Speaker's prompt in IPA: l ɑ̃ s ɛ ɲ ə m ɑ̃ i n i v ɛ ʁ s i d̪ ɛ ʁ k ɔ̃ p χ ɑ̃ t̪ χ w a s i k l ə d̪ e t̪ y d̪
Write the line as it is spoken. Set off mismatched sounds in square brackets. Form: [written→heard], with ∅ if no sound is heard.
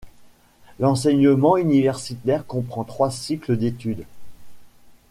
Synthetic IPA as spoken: l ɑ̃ s ɛ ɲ ə m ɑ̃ [i→y] n i v ɛ ʁ s i [d̪→t̪] ɛ ʁ k ɔ̃ p χ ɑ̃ t̪ χ w a s i k l ə d̪ e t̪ y d̪